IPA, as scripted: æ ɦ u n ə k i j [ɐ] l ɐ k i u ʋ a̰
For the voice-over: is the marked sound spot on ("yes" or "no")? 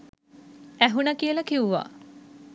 no